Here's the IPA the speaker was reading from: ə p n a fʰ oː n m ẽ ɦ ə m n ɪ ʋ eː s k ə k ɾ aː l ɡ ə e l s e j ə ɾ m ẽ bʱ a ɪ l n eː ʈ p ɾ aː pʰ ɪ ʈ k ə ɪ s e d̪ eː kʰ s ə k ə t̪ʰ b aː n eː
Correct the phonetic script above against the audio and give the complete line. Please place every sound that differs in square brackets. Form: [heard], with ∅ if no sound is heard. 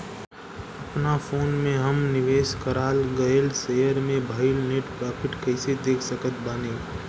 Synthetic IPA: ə p n a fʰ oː n m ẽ ɦ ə m n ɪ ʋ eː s k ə [∅] ɾ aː l ɡ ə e l s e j ə ɾ m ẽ bʱ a ɪ l n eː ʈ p ɾ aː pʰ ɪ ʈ k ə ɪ s e d̪ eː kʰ s ə k ə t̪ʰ b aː n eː

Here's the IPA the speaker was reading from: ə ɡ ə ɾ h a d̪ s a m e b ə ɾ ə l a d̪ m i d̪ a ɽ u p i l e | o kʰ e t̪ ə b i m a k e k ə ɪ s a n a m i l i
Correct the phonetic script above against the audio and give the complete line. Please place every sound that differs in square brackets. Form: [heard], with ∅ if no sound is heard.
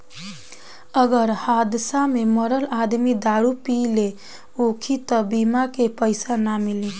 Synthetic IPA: ə ɡ ə ɾ h a d̪ s a m e [m] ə ɾ ə l a d̪ m i d̪ a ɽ u p i l e | o kʰ [i] t̪ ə b i m a k e [p] ə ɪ s a n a m i l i

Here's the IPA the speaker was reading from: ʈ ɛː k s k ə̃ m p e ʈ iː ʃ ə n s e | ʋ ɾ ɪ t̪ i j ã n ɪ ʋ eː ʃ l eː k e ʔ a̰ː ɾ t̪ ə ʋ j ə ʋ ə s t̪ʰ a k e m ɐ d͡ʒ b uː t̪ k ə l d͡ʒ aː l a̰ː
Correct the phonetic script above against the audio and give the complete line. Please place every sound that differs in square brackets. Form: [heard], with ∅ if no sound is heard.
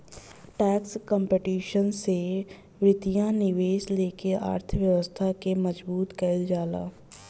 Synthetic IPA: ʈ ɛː k s k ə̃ m p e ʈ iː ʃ ə n s e | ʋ ɾ ɪ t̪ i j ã n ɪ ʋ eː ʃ l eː k e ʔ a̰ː ɾ [t̪ʰ] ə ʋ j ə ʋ ə s t̪ʰ a k e m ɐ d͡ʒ b uː t̪ k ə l d͡ʒ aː l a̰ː

